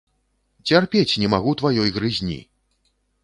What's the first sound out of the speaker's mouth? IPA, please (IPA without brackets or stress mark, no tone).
t͡sʲ